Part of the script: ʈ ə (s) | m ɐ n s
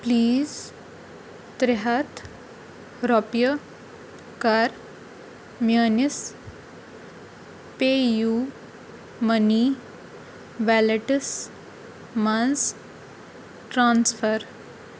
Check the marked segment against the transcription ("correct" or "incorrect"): correct